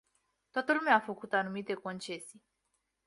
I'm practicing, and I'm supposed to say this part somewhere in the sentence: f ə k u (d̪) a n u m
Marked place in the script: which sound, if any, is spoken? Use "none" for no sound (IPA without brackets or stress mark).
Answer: t̪